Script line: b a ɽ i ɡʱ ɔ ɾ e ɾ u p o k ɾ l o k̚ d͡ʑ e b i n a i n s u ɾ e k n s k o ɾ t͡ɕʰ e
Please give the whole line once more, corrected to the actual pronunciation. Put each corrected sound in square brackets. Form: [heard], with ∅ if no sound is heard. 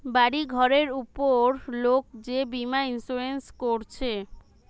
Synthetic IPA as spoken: b a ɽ i ɡʱ ɔ ɾ e ɾ u p o [∅] ɾ l o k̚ d͡ʑ e b i [m] a i n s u ɾ e [∅] n s k o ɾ t͡ɕʰ e